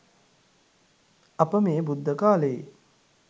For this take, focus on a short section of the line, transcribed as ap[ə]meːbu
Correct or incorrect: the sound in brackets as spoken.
correct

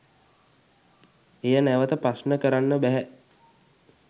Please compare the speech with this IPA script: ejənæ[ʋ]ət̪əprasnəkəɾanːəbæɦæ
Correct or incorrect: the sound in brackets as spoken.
correct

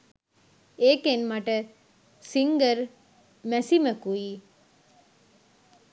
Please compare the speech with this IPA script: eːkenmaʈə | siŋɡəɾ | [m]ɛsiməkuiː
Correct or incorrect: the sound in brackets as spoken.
correct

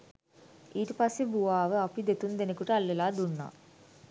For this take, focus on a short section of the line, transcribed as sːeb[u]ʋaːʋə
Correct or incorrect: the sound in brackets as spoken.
correct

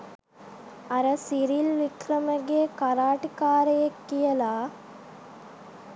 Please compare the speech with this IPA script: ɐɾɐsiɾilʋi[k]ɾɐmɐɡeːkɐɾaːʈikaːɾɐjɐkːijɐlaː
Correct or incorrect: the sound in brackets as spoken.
correct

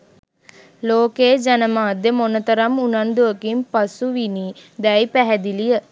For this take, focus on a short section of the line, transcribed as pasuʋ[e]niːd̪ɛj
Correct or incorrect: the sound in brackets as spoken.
incorrect: i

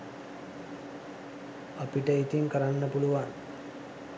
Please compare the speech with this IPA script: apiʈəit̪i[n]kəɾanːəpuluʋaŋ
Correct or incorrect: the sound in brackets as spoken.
incorrect: ŋ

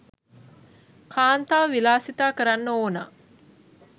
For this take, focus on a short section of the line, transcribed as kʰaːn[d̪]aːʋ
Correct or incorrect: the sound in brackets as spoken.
incorrect: t̪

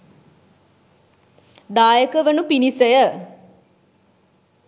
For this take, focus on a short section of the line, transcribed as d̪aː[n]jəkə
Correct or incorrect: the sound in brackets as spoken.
incorrect: none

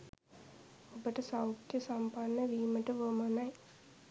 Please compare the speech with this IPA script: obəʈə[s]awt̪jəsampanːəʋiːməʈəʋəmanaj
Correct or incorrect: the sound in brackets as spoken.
correct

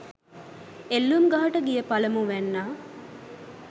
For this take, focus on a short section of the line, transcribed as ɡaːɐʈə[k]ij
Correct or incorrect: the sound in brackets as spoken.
incorrect: ɡ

